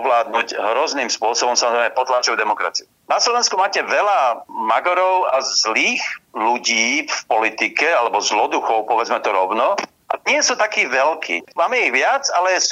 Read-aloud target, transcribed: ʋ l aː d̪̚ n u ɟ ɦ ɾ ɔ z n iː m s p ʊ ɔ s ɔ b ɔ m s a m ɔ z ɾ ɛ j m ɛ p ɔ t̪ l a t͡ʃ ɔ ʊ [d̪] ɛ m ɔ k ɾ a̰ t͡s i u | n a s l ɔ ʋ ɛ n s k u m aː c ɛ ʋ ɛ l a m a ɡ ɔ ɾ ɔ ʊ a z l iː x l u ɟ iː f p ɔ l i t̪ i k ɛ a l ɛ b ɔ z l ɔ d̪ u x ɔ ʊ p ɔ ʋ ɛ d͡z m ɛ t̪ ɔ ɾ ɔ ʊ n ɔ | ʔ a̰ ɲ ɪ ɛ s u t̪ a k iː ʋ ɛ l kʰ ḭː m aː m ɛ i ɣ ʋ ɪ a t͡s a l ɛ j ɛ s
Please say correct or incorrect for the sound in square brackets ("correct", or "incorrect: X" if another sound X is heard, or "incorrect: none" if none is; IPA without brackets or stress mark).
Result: correct